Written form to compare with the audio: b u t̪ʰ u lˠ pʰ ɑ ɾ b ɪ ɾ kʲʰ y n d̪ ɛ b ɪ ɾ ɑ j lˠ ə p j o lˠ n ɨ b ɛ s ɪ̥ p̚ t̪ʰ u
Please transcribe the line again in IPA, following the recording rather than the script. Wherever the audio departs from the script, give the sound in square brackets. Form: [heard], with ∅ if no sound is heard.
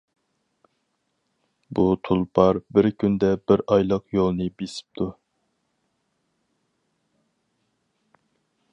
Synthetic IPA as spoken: b u t̪ʰ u lˠ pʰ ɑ ɾ b ɪ ɾ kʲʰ y n d̪ ɛ b ɪ ɾ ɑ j lˠ ə [q] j o lˠ n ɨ b [e] s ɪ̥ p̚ t̪ʰ u

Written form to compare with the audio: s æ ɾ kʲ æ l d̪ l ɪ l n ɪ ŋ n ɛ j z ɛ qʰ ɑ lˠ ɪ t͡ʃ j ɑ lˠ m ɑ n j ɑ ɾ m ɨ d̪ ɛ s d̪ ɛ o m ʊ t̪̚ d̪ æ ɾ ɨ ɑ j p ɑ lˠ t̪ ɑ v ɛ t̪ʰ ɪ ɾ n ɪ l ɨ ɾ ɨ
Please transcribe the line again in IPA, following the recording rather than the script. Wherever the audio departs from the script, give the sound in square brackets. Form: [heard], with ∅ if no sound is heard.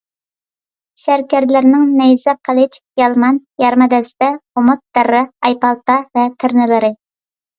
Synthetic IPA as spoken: s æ ɾ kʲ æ [ɾ] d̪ l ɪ [ɾ] n ɪ ŋ n ɛ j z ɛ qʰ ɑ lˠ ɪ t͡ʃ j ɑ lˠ m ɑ n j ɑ ɾ m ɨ d̪ ɛ s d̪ ɛ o m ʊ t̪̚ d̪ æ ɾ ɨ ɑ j p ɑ lˠ t̪ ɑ v ɛ t̪ʰ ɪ ɾ n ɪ l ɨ ɾ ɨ

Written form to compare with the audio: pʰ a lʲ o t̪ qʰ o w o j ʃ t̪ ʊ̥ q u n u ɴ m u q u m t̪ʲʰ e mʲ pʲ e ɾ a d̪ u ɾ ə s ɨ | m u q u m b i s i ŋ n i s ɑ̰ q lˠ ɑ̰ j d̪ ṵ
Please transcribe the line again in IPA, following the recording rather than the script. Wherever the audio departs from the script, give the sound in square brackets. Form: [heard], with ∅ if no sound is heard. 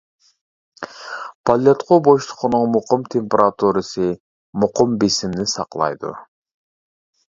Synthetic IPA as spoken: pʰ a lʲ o t̪ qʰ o [b] o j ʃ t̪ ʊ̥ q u n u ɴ m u q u m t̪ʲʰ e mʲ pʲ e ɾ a [t̪] u ɾ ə s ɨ | m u q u m b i s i [m] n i s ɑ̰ q lˠ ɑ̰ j d̪ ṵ

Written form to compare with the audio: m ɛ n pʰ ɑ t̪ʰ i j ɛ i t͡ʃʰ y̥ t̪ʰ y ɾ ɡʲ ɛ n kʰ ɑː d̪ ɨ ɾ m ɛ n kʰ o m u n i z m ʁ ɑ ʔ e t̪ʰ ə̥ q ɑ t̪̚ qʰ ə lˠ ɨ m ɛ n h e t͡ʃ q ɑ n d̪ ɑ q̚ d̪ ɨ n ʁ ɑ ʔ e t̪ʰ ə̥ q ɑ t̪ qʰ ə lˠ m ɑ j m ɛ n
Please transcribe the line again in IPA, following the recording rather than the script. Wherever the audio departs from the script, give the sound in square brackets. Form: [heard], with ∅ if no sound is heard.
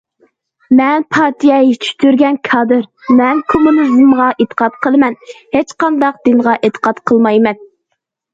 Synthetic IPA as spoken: m ɛ n pʰ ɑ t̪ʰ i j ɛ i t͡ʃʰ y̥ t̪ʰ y ɾ ɡʲ ɛ n kʰ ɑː d̪ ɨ ɾ m ɛ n kʰ o m u n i z m ʁ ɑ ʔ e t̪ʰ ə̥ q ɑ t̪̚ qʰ ə lˠ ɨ m ɛ n h e t͡ʃ q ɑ n d̪ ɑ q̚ d̪ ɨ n ʁ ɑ ʔ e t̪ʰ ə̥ q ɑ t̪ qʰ ə lˠ m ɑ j m ɛ n

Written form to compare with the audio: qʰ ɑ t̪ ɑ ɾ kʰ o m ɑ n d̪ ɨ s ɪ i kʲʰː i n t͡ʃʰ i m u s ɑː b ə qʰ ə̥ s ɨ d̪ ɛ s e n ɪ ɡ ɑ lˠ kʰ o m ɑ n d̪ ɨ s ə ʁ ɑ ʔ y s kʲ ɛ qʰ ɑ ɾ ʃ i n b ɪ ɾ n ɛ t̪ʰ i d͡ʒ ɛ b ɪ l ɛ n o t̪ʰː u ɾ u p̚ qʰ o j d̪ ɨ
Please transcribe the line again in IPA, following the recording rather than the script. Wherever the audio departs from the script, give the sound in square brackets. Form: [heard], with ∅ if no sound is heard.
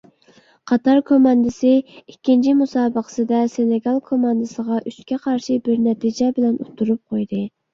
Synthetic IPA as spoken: qʰ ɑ t̪ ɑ ɾ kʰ o m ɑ n d̪ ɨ s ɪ i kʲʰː i n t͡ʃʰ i m u s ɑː b ə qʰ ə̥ s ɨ d̪ ɛ s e n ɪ ɡ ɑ lˠ kʰ o m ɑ n d̪ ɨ s ə ʁ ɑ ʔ y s kʲ ɛ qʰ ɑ ɾ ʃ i [∅] b ɪ ɾ n ɛ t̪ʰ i d͡ʒ ɛ b ɪ l ɛ n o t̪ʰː u ɾ u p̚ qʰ o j d̪ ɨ

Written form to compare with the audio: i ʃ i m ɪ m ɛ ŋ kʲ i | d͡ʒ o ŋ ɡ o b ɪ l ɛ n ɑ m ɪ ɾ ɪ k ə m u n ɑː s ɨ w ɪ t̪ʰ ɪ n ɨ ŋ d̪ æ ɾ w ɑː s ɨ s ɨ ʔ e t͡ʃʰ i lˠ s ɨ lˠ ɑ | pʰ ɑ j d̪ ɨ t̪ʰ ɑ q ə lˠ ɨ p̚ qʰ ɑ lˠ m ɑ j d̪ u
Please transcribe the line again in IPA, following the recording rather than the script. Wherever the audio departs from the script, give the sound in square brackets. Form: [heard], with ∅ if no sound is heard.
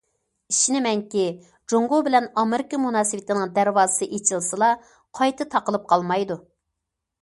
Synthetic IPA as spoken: i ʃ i [n] ɪ m ɛ ŋ kʲ i | d͡ʒ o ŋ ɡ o b ɪ l ɛ n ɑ m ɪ ɾ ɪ k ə m u n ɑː s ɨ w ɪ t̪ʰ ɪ n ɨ ŋ d̪ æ ɾ w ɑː [z] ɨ s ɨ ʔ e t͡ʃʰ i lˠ s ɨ lˠ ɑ | [qʰ] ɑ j [t̪] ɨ t̪ʰ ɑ q ə lˠ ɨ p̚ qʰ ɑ lˠ m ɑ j d̪ u

